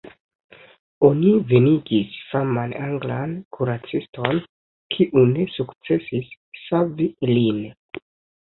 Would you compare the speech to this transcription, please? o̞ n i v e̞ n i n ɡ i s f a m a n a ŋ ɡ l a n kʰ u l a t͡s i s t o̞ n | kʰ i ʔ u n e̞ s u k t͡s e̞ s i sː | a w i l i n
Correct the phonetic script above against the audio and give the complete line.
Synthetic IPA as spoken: o̞ n i v e̞ n i ɡ i s f a m a n a ŋ ɡ l a n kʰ u ɾ a t͡s i s t o̞ n | kʰ i ʔ u n e̞ s u k t͡s e̞ s i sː | a v i l i n